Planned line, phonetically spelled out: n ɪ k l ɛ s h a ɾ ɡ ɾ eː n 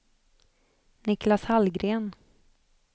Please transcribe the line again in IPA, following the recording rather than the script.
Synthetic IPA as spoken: n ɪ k l a s h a l ɡ ɾ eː n